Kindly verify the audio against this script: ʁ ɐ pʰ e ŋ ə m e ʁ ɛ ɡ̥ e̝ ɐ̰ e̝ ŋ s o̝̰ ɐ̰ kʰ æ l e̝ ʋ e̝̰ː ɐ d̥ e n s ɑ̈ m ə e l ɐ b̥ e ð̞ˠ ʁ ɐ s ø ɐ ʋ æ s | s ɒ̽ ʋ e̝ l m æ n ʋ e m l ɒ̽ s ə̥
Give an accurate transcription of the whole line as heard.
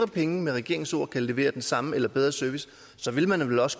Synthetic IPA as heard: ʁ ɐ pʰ e ŋ ə m e ʁ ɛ ɡ̥ e̝ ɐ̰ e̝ ŋ s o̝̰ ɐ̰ kʰ æ l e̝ ʋ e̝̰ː ɐ d̥ e n s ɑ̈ m ə e l ɐ b̥ e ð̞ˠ ʁ ɐ s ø ɐ ʋ i s | s ɒ̽ ʋ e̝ l m æ n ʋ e l ɒ̽ s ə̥